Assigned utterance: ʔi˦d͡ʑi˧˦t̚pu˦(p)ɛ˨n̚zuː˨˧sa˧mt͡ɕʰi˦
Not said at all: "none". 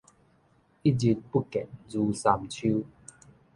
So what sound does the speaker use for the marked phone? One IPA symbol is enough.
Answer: k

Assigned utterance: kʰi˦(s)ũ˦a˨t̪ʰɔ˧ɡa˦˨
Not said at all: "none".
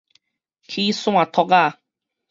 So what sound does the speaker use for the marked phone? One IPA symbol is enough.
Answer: s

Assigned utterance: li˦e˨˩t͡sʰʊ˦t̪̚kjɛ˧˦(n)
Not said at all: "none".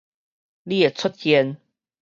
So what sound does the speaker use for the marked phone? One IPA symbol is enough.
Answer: n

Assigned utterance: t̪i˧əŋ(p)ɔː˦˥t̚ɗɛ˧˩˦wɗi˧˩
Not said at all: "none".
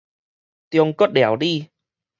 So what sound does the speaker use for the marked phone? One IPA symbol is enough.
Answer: k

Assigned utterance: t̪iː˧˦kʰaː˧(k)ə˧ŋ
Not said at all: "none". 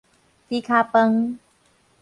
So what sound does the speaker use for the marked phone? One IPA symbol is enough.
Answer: p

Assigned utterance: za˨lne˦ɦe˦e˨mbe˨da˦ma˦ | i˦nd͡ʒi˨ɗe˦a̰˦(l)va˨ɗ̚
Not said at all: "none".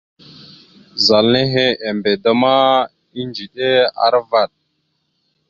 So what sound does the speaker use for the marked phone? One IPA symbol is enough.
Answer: ɾ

